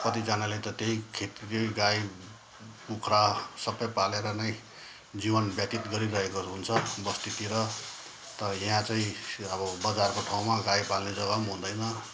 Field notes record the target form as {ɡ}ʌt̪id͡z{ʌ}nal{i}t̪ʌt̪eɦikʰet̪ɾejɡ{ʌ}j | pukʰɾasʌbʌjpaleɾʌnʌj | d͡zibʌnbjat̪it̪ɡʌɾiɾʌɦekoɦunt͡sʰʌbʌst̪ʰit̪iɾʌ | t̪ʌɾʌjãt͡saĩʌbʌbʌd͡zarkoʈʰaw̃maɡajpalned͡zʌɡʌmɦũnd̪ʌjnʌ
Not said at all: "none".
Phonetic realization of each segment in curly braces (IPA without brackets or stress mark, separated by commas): k, a, e, a